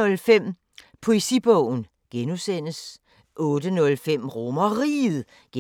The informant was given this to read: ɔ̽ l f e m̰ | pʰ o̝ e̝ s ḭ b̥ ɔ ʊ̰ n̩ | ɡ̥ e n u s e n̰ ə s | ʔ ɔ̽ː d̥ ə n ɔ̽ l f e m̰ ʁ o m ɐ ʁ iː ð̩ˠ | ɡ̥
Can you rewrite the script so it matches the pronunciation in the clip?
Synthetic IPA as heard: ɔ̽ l f e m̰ | pʰ o̝ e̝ s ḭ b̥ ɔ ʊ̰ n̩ | ɡ̥ e n u s e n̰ ə s | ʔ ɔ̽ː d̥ ə n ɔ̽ l f e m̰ ʁ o m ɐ ʁ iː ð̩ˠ | ɡ̥